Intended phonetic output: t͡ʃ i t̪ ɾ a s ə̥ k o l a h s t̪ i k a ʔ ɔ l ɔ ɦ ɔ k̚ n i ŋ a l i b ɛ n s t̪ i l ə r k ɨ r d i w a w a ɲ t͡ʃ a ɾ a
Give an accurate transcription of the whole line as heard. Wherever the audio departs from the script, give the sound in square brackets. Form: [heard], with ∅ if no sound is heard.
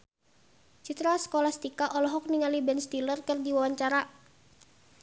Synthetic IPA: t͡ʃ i t̪ ɾ a s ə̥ k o l a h s t̪ i k a ʔ ɔ l ɔ ɦ ɔ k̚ n i ŋ a l i b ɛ n s t̪ i l ə r k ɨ r d i w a w a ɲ t͡ʃ a ɾ a